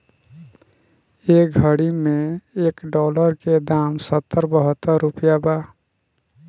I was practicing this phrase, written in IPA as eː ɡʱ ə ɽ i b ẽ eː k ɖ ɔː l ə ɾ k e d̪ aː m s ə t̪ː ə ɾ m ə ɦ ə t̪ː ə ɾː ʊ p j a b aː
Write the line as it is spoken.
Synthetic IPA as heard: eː ɡʱ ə ɽ i m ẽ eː k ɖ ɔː l ə ɾ k e d̪ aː m s ə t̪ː ə ɾ b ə ɦ ə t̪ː ə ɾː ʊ p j a b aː